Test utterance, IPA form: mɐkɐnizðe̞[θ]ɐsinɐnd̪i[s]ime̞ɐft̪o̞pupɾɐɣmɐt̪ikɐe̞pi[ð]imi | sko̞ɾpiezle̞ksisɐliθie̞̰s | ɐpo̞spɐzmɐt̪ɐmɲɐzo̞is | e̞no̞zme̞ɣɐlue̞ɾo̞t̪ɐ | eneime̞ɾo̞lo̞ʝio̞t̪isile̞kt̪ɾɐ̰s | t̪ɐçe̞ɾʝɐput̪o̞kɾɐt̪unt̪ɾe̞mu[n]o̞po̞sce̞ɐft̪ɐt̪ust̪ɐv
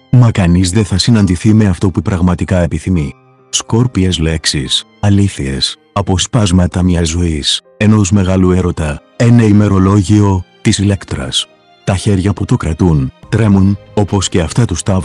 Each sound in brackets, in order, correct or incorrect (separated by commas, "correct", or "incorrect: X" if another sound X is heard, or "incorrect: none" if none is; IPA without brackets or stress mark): correct, incorrect: θ, incorrect: θ, correct